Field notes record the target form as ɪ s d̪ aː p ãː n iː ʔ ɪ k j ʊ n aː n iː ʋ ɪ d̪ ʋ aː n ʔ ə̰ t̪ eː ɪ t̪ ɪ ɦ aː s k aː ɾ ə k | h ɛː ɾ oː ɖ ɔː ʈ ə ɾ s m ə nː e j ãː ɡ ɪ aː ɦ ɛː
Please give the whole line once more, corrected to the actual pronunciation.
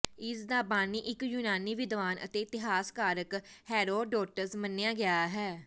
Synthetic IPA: ɪ s d̪ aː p aː n iː ʔ ɪ k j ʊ n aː n iː ʋ ɪ d̪ ʋ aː n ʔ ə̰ t̪ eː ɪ t̪ ɪ ɦ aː s k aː ɾ ə k | h ɛː ɾ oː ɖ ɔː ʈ ə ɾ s m ə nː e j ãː ɡ ɪ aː ɦ ɛː

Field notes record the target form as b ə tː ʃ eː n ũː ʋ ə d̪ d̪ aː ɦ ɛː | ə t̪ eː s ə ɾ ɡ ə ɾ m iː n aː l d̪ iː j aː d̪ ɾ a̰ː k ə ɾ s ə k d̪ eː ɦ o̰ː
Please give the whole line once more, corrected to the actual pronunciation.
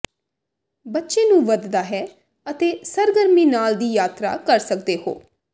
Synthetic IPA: b ə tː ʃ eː n ũː ʋ ə d̪ d̪ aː ɦ ɛː | ə t̪ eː s ə ɾ ɡ ə ɾ m iː n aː l d̪ iː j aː t̪ ɾ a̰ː k ə ɾ s ə k d̪ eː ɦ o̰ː

